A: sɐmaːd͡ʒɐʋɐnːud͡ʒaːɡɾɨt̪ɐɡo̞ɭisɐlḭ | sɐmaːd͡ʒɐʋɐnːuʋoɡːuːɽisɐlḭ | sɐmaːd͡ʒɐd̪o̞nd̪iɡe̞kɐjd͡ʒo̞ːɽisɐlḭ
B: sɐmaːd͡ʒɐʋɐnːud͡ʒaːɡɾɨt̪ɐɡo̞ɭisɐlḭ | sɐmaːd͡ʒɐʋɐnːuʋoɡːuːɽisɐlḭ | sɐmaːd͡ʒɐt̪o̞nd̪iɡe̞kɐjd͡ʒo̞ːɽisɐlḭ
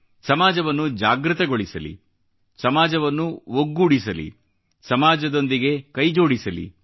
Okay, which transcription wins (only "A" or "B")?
A